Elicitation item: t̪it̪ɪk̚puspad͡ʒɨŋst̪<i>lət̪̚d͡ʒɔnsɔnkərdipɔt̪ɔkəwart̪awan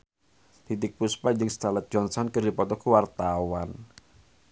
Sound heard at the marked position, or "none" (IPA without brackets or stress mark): a